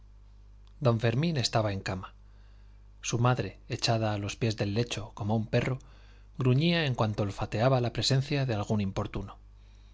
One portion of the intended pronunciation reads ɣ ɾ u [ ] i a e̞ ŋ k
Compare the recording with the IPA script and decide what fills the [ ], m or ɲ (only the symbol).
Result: ɲ